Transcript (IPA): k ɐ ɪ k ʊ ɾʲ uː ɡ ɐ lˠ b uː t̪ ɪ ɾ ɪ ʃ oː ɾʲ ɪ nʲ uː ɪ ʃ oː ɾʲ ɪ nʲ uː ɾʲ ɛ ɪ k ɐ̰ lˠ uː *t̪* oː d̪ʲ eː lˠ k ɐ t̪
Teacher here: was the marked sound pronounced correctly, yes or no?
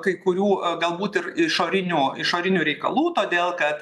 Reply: yes